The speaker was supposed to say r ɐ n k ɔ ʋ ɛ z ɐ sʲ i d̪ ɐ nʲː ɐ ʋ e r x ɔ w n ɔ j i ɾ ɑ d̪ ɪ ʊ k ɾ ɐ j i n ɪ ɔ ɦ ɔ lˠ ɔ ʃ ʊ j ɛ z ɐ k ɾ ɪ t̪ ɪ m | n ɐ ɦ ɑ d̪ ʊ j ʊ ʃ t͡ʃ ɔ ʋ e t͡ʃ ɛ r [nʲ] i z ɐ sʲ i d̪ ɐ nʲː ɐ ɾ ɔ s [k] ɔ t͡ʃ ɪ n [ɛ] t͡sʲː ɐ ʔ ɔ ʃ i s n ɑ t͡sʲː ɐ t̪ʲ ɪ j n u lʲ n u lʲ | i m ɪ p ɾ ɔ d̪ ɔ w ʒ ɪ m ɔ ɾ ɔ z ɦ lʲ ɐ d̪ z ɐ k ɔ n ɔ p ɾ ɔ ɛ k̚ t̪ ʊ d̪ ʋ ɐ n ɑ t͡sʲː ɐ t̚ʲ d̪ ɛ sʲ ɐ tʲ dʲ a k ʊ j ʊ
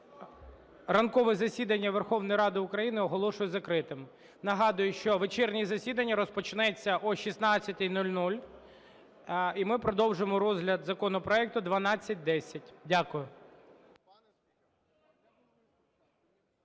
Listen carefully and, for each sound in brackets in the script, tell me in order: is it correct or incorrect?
correct, incorrect: p, correct

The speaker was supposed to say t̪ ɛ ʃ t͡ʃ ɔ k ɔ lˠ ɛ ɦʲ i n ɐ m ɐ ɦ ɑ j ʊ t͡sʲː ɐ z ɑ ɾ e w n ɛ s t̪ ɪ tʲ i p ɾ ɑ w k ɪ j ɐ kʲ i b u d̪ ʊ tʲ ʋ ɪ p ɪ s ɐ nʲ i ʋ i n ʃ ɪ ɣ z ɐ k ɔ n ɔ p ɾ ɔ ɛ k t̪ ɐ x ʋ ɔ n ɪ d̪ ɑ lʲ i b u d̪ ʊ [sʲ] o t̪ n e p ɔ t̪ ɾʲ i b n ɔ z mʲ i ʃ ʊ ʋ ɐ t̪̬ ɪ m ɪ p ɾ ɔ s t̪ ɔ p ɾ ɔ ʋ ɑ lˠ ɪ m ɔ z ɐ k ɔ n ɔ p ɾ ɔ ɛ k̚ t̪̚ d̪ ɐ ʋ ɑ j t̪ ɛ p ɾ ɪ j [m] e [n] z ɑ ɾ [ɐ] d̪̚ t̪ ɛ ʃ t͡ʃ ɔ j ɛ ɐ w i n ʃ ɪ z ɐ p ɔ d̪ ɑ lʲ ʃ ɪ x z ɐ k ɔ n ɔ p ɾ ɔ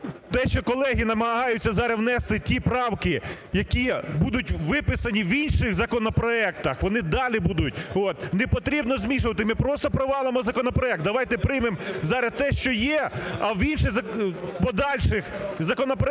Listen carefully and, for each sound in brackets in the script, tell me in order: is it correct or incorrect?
incorrect: tʲ, correct, incorrect: m, correct

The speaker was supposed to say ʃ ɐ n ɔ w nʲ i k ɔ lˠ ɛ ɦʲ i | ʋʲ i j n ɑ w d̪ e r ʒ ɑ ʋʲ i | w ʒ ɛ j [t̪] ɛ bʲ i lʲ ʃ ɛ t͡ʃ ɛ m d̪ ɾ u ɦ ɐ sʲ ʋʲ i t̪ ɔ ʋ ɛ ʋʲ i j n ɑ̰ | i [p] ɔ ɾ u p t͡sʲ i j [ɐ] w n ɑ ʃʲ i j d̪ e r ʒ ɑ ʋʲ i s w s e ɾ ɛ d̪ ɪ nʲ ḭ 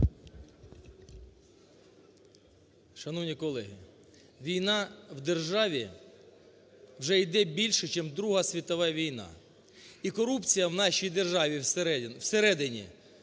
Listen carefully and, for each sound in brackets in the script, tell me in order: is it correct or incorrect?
incorrect: d̪, incorrect: k, correct

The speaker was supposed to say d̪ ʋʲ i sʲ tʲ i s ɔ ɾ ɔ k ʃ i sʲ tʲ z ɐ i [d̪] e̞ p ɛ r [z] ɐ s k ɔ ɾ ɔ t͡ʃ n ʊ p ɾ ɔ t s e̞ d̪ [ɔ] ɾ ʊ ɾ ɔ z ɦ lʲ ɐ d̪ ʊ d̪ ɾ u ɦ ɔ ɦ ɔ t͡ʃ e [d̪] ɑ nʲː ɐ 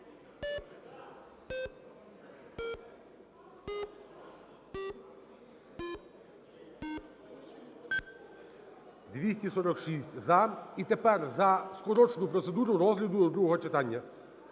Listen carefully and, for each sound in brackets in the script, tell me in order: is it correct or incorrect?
incorrect: t̪, correct, incorrect: u, incorrect: t̪

